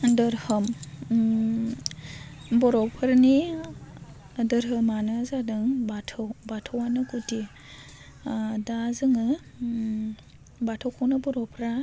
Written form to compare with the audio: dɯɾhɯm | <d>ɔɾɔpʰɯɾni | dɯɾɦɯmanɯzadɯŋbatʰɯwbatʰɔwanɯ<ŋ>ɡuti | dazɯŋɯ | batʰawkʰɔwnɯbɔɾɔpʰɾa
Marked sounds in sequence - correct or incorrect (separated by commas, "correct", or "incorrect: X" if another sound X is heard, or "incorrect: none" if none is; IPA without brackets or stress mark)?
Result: incorrect: b, incorrect: none